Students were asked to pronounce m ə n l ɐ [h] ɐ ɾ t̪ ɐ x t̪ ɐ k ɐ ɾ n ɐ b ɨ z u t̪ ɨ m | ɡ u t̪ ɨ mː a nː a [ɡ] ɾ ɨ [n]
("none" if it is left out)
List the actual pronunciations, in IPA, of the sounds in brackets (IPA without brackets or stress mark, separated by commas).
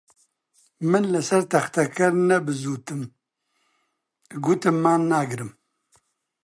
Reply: s, ɡ, m